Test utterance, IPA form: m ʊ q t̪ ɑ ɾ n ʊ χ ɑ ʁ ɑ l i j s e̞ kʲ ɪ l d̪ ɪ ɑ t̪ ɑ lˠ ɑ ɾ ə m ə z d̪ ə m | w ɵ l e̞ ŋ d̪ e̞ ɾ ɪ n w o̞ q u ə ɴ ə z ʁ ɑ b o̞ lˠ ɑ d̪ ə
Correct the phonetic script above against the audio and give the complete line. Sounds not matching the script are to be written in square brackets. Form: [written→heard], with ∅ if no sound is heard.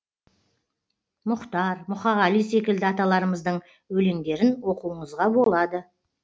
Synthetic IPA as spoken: m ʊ q t̪ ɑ ɾ [n→m] ʊ χ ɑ ʁ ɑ l i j s e̞ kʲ ɪ l d̪ ɪ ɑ t̪ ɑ lˠ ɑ ɾ ə m ə z d̪ ə [m→ɴ] | w ɵ l e̞ ŋ d̪ e̞ ɾ ɪ n w o̞ q u ə ɴ ə z ʁ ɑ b o̞ lˠ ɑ d̪ ə